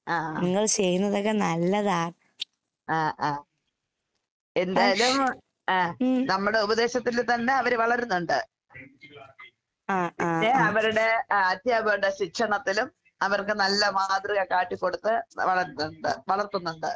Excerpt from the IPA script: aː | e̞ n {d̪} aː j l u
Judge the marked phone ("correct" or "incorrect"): correct